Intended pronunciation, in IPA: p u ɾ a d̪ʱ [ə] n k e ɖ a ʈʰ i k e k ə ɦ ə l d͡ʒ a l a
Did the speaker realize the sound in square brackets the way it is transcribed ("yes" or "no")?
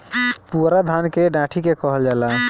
no